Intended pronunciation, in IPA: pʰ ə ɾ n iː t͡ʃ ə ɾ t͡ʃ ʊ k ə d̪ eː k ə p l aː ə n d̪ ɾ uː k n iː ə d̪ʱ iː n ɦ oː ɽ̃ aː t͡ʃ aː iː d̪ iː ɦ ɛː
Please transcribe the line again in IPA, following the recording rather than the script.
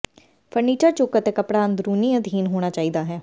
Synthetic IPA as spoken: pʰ ə ɾ n iː t͡ʃ ə ɾ t͡ʃ ʊ k ə t̪ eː k ə p ɽ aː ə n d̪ ɾ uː n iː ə d̪ʱ iː n ɦ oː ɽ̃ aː t͡ʃ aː iː d̪ aː ɦ ɛː